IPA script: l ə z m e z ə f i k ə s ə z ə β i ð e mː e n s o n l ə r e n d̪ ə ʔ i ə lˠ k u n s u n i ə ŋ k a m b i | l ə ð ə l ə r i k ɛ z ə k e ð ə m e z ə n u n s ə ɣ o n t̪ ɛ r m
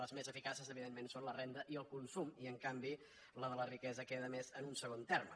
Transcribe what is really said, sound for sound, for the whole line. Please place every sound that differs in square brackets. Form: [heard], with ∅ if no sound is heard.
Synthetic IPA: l ə z m e z ə f i k [a] s ə z ə β i ð e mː e n s o n l ə r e n d̪ ə ʔ i ə lˠ k u n s u [m] i ə ŋ k a m b i | l ə ð ə l ə r i k ɛ z ə k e ð ə m e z ə n u n s ə ɣ o n t̪ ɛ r m